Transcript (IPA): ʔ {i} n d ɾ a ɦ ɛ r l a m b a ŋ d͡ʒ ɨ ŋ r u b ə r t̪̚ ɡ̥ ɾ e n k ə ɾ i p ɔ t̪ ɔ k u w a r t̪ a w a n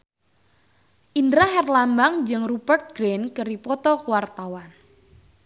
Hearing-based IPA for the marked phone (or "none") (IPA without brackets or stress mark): i